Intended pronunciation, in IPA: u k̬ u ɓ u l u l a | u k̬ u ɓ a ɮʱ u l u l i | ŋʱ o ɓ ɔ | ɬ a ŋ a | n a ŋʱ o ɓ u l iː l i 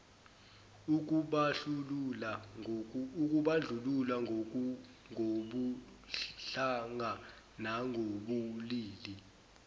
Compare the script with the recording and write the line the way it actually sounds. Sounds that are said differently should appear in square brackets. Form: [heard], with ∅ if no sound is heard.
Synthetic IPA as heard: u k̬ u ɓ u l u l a | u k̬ u ɓ a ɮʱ u l u l [a] | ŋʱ o ɓ [u] | ɬ a ŋ a | n a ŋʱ o ɓ u l iː l i